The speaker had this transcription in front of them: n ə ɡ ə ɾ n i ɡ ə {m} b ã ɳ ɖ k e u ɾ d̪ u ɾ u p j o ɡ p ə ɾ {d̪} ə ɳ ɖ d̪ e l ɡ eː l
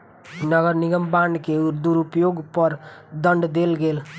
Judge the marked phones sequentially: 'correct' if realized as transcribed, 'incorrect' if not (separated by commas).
correct, correct